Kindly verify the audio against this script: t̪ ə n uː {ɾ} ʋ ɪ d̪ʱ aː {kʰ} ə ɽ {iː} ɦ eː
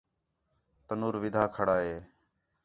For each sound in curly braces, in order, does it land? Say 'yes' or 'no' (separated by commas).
yes, yes, no